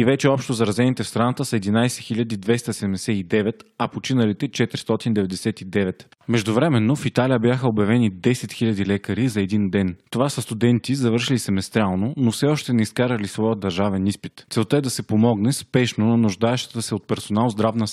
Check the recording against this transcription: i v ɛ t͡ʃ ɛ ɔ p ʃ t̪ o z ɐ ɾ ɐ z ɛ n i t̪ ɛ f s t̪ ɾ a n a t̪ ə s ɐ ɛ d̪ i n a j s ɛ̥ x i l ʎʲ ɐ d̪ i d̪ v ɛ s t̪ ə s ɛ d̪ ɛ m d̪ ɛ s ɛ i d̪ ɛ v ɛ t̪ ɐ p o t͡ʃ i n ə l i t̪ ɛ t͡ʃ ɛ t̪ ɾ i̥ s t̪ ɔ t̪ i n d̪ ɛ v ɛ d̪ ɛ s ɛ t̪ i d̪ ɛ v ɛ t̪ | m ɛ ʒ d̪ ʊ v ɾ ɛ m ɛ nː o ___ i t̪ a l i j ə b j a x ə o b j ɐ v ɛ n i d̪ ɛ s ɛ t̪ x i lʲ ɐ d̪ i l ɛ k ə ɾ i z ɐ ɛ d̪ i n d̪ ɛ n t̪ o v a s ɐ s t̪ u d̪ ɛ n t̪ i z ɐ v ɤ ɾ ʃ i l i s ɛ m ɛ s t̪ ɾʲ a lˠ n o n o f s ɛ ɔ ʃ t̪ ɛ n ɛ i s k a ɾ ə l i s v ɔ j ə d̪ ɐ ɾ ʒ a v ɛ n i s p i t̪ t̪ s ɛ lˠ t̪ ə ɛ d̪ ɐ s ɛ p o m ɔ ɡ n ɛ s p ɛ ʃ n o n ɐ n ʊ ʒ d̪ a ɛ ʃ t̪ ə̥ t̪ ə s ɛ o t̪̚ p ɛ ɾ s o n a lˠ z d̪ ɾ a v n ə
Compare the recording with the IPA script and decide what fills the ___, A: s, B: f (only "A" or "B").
B